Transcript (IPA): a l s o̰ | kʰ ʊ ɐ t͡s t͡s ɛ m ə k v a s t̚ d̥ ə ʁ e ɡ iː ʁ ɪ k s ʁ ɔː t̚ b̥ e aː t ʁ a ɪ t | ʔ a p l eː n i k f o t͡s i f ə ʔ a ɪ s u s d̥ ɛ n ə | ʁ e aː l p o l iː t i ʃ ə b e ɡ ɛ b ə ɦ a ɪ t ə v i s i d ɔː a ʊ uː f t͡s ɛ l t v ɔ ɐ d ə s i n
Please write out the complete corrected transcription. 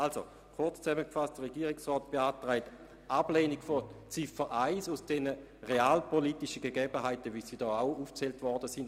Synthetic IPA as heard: a l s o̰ | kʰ ʊ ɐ t͡s t͡s ɛ m ə k f a s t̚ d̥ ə ʁ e ɡ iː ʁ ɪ k s ʁ ɔː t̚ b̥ e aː t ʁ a ɪ t | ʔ a b l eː n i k f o t͡s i f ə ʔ a ɪ s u s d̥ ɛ n ə | ʁ e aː l p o l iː t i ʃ ə ɡ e ɡ ɛ b ə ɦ a ɪ t ə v i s i d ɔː a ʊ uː f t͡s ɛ l t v ɔ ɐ d ə s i n